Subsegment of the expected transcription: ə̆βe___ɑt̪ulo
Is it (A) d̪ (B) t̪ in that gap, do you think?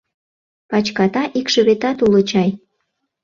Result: B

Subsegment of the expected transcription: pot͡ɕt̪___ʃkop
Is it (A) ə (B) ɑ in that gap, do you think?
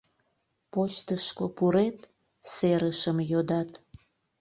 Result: A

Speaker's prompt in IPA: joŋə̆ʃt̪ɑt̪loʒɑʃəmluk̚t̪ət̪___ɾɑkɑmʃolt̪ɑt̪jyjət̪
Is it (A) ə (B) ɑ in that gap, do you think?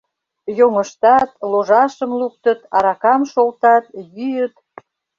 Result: B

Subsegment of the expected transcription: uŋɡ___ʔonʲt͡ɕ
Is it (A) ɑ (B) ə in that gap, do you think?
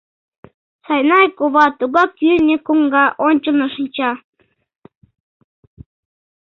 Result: A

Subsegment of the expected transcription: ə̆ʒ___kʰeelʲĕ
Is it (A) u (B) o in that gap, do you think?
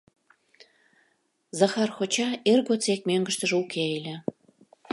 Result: A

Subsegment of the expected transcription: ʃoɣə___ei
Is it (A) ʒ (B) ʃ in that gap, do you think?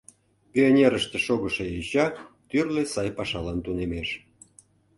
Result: B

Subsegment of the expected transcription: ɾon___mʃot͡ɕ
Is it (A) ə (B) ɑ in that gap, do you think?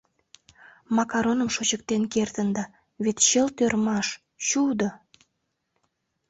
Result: A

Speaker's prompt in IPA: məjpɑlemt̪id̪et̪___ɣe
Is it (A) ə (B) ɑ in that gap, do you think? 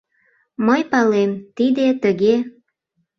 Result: A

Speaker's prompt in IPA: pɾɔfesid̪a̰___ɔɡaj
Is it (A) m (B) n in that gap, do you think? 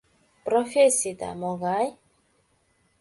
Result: A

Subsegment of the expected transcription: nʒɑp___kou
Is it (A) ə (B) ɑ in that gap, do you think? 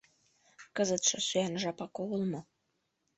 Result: B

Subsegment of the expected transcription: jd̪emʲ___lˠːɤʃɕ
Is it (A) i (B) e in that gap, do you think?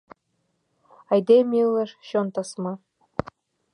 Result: A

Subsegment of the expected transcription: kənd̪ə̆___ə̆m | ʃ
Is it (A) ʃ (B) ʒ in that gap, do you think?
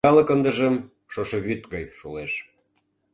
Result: B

